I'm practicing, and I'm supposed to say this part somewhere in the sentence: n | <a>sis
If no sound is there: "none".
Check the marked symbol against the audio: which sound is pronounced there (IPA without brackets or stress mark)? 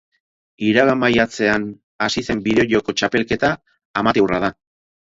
a